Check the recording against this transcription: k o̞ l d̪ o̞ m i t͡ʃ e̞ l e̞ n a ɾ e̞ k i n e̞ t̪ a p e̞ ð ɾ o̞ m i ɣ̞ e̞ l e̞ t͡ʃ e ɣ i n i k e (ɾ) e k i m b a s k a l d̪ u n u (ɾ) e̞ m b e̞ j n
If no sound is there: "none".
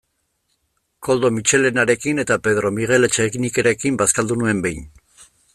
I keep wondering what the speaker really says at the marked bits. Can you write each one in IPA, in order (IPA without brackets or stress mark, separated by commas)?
ɾ, none